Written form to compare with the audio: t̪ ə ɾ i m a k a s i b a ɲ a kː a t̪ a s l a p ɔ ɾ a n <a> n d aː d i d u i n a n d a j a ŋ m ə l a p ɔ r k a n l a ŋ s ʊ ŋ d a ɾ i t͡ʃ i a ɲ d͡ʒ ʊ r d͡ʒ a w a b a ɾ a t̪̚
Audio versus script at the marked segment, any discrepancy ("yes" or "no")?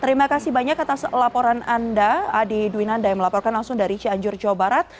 no